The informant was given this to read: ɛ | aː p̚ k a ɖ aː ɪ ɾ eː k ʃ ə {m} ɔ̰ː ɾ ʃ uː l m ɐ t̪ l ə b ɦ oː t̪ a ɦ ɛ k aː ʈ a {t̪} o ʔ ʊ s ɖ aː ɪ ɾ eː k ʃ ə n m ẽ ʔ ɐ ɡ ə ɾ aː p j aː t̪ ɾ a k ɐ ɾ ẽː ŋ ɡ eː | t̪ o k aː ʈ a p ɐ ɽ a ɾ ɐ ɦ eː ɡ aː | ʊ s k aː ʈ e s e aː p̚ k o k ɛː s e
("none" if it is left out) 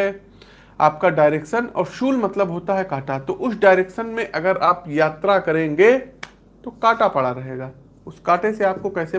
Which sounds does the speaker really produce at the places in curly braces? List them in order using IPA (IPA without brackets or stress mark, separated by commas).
n, t̪